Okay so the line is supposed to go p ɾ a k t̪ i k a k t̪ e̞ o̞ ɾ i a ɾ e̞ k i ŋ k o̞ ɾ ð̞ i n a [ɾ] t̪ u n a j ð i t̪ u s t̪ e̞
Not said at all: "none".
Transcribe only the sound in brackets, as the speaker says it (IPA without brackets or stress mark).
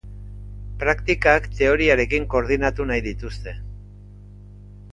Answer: none